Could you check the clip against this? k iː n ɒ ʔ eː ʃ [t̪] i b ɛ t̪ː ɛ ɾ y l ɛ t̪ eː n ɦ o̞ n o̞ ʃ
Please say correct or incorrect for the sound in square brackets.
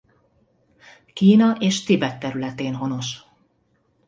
correct